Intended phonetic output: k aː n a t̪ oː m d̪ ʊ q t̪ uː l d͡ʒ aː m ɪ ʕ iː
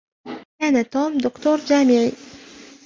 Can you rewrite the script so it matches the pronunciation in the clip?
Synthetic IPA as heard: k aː n a t̪ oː m d̪ ʊ k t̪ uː ɾ d͡ʒ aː m ɪ ʕ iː